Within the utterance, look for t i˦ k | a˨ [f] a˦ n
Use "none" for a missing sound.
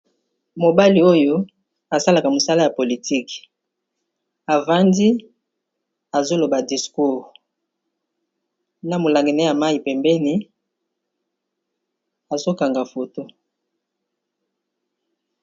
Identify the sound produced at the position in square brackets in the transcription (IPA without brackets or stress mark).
v